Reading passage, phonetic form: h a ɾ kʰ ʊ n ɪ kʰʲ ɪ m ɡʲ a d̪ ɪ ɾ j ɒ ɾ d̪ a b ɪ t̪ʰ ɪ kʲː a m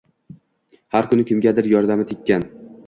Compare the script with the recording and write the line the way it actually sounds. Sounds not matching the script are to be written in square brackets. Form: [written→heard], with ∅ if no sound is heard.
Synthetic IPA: h a ɾ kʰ ʊ n ɪ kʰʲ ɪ m ɡʲ a d̪ ɪ ɾ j ɒ ɾ d̪ a [b→m] ɪ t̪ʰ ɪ kʲː a [m→n]